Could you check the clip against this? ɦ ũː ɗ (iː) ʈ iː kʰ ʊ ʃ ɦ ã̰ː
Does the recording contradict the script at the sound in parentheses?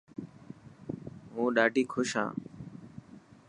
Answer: yes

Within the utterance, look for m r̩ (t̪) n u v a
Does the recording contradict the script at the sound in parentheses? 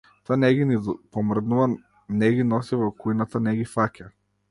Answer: yes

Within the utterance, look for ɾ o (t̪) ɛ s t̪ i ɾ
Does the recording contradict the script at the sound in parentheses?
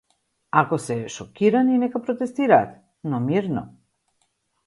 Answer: no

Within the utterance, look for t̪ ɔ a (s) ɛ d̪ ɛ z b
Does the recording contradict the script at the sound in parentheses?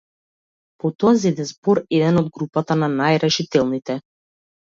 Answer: yes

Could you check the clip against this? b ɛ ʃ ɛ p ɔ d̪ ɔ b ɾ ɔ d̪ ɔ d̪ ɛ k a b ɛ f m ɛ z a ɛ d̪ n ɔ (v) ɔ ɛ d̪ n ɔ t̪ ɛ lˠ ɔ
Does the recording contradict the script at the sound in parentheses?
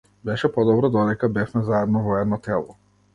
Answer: no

